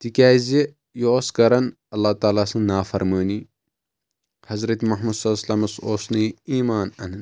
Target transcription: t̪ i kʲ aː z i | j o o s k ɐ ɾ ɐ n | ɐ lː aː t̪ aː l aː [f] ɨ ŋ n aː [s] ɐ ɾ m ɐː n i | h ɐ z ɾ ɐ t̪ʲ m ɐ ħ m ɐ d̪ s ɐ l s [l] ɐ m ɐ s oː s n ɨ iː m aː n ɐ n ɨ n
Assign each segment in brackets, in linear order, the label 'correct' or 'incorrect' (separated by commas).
incorrect, incorrect, correct